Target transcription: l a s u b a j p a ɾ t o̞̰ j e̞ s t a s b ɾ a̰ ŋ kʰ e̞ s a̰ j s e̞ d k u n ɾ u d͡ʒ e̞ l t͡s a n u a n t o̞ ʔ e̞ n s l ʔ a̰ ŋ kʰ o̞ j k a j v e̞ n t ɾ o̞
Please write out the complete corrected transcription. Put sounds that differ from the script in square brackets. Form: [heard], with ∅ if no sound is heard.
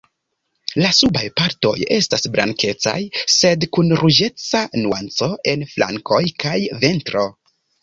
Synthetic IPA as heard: l a s u b a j p a ɾ t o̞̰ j e̞ s t a s b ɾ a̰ ŋ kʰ e̞ [t͡s] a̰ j s e̞ d k u n ɾ u d͡ʒ e̞ [∅] t͡s a n u a n [t͡s] o̞ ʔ e̞ n [f] l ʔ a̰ ŋ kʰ o̞ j k a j v e̞ n t ɾ o̞